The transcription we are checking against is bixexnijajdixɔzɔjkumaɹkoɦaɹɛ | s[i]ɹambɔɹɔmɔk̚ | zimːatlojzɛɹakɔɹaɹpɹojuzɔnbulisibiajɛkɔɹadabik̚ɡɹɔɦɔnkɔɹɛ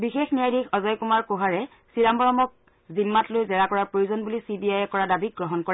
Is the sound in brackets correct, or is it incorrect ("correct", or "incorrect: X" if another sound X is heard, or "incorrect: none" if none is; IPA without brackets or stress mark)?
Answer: correct